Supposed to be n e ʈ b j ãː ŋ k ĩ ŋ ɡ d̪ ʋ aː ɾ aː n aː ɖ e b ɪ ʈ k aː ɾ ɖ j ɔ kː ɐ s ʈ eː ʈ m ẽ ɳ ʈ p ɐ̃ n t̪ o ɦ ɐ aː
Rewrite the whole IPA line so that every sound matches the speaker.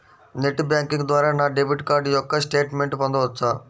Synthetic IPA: n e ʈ b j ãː ŋ k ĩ ŋ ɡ d̪ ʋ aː ɾ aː n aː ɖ e b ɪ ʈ k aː ɾ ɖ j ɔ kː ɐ s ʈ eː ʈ m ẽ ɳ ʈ p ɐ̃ n d̪ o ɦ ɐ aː